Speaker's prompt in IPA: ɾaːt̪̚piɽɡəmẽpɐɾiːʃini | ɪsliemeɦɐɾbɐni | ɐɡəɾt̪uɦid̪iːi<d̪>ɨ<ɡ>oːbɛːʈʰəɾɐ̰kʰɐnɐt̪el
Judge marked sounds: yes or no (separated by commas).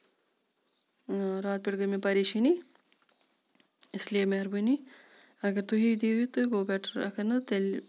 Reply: no, yes